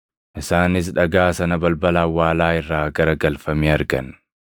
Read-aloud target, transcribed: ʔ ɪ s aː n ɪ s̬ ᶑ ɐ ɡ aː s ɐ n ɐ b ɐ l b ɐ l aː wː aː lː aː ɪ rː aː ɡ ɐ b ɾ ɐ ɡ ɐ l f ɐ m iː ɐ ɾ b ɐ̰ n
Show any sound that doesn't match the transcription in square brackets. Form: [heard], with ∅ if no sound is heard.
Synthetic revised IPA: ʔ ɪ s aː n ɪ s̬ ᶑ ɐ ɡ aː s ɐ n ɐ b ɐ l b ɐ l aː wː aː [l] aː ɪ rː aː ɡ ɐ [∅] ɾ ɐ ɡ ɐ l f ɐ m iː ɐ ɾ [ɡ] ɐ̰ n